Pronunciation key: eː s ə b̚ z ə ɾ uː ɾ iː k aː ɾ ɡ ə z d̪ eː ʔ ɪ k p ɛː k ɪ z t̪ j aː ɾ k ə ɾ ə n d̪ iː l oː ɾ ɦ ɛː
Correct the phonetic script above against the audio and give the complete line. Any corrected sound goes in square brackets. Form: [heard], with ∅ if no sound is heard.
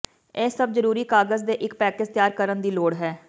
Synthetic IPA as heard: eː s ə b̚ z ə ɾ uː ɾ iː k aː [∅] ɡ ə z d̪ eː ʔ ɪ k p ɛː k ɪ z t̪ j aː ɾ k ə ɾ ə n d̪ iː l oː [ɽ] ɦ ɛː